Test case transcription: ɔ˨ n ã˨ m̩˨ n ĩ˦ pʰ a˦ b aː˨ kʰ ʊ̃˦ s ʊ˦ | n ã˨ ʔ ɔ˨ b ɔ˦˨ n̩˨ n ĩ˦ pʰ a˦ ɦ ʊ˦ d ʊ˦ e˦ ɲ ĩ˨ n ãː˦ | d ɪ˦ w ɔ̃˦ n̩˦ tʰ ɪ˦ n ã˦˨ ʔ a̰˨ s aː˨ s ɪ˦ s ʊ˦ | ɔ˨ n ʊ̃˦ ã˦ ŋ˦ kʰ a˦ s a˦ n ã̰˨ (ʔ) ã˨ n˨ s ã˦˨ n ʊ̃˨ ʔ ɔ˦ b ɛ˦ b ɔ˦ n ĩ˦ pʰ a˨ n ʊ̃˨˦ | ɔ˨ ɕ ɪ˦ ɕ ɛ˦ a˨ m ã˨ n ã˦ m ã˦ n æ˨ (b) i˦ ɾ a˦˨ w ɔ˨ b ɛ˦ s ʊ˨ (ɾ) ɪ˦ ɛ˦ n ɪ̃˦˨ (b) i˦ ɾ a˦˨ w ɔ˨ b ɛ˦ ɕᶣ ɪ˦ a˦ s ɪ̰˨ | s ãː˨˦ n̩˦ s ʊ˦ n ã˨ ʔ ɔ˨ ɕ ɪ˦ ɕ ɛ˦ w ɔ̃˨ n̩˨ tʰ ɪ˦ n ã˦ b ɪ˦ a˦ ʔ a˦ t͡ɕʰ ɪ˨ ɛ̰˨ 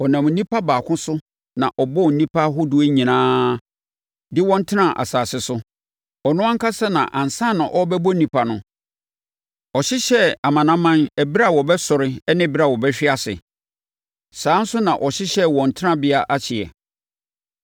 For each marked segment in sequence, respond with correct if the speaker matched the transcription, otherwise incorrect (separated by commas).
correct, correct, correct, correct